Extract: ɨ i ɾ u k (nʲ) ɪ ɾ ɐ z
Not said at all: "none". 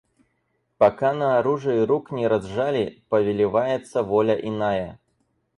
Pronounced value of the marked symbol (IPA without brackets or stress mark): nʲ